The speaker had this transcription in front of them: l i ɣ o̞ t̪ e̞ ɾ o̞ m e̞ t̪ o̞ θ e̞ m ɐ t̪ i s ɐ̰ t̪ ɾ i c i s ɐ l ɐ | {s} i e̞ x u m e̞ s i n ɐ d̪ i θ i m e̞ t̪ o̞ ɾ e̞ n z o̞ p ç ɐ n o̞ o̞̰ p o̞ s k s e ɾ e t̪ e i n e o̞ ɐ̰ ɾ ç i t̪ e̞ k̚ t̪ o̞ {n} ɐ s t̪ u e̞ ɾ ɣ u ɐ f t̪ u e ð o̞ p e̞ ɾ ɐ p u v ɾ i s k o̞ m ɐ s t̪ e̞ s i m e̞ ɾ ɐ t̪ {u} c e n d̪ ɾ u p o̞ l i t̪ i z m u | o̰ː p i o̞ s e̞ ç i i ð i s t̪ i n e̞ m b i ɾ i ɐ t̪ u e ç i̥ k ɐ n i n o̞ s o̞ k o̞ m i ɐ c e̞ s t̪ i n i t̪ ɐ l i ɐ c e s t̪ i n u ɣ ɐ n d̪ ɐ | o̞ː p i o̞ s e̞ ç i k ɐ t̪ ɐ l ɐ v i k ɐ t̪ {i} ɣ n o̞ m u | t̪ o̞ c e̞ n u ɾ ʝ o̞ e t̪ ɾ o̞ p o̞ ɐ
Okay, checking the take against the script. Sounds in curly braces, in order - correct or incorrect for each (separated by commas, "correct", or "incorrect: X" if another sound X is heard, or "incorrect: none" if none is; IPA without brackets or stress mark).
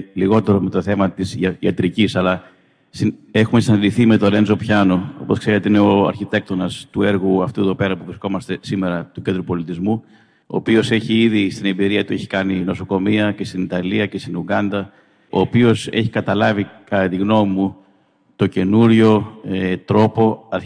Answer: correct, correct, correct, correct